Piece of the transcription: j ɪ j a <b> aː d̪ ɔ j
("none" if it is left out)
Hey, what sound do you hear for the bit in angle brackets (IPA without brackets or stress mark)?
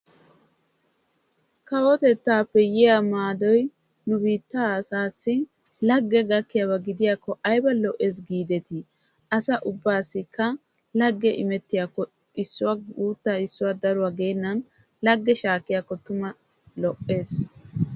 m